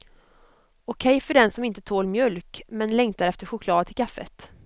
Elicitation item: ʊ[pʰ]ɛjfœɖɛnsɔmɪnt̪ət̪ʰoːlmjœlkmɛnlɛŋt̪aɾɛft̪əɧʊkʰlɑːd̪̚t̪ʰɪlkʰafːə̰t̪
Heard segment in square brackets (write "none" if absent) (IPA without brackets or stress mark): kʰ